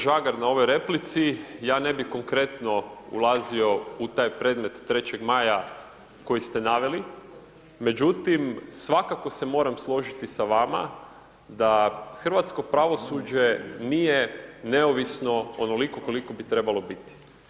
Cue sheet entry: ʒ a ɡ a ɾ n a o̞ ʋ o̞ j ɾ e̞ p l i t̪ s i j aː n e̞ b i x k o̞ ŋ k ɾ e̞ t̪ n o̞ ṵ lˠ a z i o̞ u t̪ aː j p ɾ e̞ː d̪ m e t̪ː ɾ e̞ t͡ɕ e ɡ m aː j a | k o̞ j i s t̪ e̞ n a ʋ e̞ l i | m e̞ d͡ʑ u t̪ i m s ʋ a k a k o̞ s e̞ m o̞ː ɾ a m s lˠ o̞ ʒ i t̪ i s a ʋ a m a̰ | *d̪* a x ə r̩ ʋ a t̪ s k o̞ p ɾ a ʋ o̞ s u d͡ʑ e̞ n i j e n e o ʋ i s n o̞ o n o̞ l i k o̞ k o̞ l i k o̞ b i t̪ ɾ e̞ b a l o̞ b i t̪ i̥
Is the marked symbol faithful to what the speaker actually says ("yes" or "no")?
yes